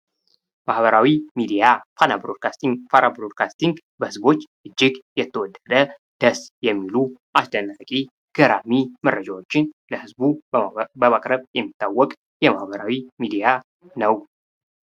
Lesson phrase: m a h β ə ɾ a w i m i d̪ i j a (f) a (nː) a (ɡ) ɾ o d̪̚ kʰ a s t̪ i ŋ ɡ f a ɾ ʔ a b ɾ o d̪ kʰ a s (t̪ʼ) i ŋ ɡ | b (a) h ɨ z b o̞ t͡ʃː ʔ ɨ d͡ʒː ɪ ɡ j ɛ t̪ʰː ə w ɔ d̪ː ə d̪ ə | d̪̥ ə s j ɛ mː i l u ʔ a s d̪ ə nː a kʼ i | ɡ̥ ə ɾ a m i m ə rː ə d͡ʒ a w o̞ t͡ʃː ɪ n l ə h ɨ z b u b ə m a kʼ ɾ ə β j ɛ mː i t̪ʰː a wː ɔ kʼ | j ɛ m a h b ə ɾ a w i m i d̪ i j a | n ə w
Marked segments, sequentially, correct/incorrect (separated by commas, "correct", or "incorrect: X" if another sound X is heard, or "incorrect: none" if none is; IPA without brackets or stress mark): correct, incorrect: n, incorrect: b, incorrect: t̪, incorrect: ə